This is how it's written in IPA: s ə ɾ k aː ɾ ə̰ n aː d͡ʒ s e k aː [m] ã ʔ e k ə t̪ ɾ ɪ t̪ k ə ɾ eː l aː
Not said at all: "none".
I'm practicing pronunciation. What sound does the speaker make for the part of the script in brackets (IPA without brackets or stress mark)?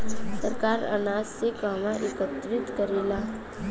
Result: m